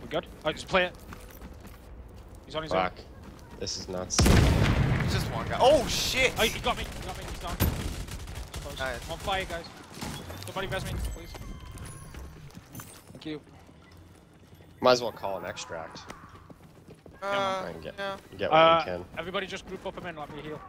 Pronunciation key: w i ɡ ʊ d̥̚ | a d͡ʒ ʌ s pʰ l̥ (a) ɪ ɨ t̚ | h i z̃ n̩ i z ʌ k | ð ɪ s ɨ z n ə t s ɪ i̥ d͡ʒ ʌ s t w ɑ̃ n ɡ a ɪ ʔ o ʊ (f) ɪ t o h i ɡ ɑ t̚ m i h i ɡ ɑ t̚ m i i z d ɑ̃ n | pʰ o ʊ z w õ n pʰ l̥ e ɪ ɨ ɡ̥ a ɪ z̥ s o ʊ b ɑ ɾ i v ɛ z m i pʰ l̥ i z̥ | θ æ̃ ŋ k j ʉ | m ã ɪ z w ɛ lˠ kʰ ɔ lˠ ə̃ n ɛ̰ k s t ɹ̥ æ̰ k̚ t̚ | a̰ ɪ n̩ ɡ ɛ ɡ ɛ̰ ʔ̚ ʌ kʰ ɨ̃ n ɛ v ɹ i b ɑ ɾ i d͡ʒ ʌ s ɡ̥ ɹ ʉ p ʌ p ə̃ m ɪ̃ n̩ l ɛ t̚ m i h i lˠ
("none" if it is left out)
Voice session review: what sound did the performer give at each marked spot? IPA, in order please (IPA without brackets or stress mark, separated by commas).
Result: e, ʃ